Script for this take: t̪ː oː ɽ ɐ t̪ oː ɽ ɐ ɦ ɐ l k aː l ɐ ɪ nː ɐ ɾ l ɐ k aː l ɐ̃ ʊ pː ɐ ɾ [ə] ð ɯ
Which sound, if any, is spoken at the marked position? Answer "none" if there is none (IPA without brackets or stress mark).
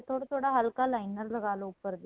ɐ